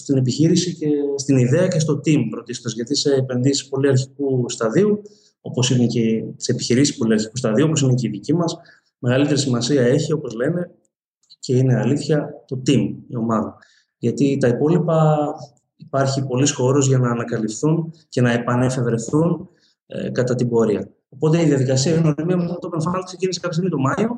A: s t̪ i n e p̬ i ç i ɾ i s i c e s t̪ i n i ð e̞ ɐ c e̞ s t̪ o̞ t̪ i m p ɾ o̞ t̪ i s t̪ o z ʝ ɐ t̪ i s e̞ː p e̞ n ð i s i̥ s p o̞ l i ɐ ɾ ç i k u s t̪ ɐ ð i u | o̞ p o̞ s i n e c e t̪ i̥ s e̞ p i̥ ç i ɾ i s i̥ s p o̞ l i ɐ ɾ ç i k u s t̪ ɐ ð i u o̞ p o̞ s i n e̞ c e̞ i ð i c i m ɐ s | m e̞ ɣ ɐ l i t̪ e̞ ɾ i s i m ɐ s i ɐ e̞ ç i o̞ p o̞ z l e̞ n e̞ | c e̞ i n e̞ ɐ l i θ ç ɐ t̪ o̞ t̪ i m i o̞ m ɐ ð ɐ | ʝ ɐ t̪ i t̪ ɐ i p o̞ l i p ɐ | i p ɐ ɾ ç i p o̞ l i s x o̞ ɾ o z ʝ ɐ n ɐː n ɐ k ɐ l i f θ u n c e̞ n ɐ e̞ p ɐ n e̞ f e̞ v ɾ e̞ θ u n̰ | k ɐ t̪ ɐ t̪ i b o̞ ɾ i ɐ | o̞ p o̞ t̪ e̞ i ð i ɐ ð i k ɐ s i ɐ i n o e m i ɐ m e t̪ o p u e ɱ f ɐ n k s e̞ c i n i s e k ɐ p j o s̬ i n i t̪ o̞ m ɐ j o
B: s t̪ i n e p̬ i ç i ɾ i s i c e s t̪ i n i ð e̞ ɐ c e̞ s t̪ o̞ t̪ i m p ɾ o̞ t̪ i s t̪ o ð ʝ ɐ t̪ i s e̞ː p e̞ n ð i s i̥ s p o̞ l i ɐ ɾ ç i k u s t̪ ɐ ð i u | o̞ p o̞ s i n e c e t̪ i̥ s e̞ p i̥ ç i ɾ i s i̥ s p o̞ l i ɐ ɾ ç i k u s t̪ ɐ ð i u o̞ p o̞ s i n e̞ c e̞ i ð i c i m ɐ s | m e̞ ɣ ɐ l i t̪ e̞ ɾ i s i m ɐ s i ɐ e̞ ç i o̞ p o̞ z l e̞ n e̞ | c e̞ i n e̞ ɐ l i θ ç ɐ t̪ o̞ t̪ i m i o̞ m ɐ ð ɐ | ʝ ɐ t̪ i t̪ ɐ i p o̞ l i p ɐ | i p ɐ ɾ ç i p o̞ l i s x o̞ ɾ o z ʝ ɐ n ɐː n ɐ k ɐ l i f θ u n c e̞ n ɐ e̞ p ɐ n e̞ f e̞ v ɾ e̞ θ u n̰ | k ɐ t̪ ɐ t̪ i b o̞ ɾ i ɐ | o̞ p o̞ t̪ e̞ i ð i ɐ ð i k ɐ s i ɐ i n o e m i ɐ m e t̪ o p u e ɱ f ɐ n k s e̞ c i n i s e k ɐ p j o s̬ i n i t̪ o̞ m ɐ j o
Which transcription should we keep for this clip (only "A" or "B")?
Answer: A